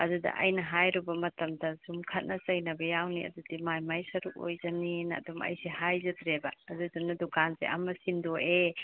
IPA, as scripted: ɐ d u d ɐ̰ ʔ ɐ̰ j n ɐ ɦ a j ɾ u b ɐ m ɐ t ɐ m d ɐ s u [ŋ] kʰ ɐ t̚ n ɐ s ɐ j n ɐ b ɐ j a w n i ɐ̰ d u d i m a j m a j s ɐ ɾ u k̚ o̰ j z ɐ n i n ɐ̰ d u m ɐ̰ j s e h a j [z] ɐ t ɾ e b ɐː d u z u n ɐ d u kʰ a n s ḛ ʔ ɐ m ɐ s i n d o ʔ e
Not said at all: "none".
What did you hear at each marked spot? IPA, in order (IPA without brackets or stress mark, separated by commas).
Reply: m, z